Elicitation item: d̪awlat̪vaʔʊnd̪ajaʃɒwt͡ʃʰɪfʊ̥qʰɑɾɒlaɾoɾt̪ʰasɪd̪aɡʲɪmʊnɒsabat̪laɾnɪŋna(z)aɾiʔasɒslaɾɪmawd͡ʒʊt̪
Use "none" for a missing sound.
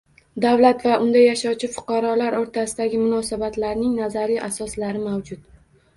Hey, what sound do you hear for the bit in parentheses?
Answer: z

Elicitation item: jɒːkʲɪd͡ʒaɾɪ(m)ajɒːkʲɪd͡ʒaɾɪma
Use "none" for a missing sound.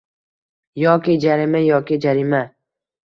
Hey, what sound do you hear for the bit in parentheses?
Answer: m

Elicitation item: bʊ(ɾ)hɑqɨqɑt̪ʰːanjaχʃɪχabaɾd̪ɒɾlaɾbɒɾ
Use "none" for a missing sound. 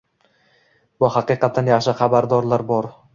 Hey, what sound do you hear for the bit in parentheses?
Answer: none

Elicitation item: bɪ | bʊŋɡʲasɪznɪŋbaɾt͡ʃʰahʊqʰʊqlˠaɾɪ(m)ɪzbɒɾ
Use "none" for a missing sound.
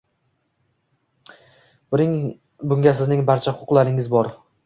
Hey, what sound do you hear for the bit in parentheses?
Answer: ŋ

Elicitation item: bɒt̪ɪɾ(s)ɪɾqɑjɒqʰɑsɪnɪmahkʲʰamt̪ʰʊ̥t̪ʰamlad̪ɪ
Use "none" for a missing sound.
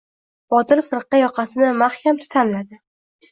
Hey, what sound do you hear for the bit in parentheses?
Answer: f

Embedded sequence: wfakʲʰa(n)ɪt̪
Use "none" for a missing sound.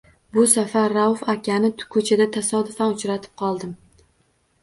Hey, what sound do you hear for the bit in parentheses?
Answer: n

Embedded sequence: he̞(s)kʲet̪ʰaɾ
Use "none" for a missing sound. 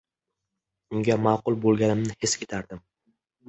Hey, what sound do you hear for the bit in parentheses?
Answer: s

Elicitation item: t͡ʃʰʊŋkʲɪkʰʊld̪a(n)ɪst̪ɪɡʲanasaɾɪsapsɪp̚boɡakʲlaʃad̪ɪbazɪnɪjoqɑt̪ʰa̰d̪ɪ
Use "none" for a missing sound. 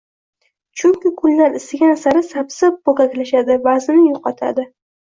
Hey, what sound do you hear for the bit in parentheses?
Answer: n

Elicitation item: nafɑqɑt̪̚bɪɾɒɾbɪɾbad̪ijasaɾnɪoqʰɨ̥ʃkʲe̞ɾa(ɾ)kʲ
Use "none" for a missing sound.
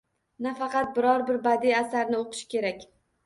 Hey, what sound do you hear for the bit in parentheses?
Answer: none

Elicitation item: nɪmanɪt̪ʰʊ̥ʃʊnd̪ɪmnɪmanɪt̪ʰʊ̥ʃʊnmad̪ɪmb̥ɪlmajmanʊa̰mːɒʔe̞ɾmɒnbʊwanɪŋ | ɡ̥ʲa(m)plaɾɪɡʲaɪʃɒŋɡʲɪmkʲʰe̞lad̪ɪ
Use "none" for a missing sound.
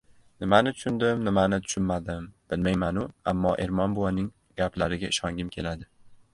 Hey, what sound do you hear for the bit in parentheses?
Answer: none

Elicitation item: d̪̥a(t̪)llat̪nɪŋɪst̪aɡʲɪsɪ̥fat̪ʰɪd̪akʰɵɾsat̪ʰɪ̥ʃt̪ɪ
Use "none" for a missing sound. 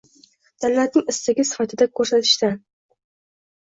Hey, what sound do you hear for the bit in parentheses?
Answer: none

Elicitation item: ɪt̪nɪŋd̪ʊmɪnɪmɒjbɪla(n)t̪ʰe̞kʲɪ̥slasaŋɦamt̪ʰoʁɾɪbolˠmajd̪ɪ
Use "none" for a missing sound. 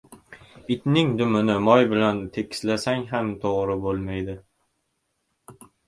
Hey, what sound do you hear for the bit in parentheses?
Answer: n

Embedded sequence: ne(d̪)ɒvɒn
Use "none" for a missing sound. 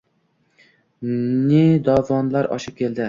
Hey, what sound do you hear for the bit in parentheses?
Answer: d̪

